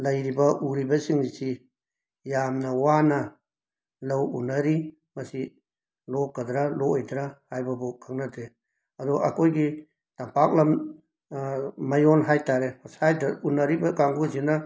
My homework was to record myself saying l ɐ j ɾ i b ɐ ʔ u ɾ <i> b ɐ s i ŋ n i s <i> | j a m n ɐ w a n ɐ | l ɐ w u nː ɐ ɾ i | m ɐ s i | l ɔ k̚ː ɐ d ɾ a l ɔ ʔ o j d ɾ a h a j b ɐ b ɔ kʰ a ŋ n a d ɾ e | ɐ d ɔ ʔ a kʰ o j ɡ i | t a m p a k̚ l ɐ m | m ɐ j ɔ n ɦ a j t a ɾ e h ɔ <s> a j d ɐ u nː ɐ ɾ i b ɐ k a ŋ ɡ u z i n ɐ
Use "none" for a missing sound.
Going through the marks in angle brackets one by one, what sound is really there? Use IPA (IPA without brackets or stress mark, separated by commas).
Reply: i, i, s